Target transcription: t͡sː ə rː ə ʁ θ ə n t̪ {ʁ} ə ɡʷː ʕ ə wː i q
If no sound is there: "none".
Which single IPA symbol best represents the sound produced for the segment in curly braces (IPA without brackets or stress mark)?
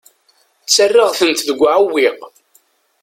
ð